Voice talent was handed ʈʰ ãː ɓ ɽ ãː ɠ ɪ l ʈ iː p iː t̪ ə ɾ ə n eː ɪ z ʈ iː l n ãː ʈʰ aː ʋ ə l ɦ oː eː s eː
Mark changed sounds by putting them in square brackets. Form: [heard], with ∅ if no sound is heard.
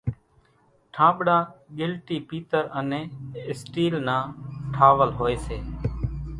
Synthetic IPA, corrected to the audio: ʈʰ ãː ɓ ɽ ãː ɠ ɪ l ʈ iː p iː t̪ ə ɾ ə n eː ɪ [s] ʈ iː l n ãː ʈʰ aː ʋ ə l ɦ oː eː s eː